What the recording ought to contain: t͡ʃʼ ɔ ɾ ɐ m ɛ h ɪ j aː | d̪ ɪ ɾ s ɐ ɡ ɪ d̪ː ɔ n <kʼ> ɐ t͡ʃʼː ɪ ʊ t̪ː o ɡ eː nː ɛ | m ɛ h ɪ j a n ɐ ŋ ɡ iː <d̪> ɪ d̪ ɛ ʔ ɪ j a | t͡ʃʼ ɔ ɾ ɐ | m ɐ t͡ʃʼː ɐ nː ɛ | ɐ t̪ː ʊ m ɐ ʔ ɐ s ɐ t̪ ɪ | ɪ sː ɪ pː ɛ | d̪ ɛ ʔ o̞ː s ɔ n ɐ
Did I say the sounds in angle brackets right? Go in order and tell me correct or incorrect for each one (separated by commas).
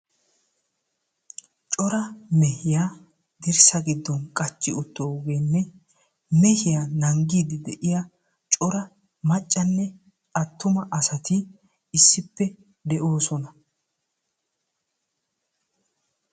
correct, correct